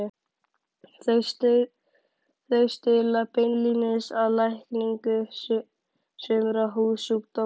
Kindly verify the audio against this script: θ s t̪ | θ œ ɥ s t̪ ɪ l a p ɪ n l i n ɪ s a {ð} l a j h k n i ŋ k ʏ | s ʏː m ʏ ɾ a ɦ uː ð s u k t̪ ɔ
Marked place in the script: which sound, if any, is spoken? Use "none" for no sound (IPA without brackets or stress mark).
ð